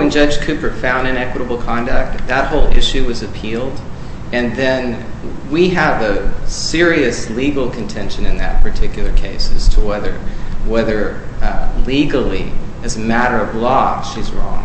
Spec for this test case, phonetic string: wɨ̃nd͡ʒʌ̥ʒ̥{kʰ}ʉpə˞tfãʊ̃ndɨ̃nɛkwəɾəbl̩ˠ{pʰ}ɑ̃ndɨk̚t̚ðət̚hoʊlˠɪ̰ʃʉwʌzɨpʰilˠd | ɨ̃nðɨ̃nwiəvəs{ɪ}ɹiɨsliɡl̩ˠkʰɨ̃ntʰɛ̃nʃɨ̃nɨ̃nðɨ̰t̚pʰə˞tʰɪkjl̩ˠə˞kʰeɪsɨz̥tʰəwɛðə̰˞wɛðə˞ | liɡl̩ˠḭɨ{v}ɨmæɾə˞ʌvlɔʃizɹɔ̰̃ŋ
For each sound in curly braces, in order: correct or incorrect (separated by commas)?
correct, incorrect, correct, incorrect